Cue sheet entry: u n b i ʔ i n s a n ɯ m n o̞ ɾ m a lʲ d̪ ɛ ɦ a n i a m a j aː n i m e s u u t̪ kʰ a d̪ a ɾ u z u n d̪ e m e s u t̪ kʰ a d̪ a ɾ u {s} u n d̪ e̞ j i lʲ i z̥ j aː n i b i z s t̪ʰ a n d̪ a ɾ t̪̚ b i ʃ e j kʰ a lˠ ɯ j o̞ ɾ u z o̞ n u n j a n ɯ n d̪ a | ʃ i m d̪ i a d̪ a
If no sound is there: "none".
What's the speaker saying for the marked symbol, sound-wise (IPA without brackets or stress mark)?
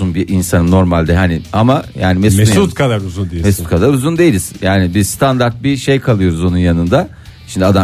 z